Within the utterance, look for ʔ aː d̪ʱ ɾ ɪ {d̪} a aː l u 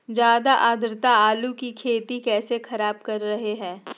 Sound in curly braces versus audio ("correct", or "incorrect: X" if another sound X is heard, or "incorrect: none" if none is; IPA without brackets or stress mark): incorrect: t̪